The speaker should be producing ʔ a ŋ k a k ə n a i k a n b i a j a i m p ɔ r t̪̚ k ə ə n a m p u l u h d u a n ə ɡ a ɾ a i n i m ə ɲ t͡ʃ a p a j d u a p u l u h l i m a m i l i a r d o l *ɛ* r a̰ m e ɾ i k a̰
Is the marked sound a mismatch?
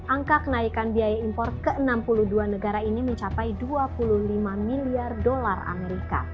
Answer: yes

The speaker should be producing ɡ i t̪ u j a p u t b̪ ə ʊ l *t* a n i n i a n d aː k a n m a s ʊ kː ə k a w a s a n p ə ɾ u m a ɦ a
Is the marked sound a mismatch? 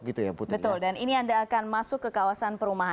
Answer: yes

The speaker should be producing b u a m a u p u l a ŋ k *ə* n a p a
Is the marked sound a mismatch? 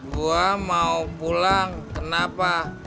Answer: no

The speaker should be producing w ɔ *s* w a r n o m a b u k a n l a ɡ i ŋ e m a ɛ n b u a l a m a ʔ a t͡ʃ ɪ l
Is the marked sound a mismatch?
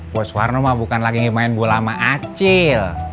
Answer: no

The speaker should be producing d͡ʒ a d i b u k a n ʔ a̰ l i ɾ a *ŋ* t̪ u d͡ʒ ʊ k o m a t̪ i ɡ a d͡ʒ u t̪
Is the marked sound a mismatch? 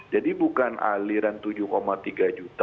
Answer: yes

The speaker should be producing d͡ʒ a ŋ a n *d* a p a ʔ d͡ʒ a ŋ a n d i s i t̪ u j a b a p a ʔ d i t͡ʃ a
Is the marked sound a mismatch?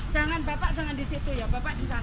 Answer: yes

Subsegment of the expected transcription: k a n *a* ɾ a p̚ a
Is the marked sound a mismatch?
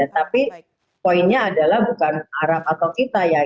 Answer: no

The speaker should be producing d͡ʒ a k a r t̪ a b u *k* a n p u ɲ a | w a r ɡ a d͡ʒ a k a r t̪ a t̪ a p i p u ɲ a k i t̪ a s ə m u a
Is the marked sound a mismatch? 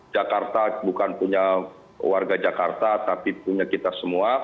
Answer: no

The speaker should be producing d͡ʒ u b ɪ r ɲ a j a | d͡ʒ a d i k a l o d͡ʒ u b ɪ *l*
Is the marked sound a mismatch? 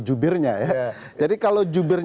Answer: yes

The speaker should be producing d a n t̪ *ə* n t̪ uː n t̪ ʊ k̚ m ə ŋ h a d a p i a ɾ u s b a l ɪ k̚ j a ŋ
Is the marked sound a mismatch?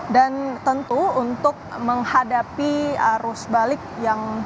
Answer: no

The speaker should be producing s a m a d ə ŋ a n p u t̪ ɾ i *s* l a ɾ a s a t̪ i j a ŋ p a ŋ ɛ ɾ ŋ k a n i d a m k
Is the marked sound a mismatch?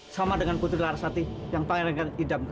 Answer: yes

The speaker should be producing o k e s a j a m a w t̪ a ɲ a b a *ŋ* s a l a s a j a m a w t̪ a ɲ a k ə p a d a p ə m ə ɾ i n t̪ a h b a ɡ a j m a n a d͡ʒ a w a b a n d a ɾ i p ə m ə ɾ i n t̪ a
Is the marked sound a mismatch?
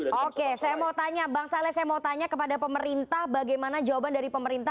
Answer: no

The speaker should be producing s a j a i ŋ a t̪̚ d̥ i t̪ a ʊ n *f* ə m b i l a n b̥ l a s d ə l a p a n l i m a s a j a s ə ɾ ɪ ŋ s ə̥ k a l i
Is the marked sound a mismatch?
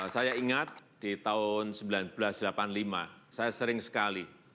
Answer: yes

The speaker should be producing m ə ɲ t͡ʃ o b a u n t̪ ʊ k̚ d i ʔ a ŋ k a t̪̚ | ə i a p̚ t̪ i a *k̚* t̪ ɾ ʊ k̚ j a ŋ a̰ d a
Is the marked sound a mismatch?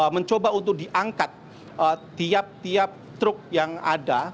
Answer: yes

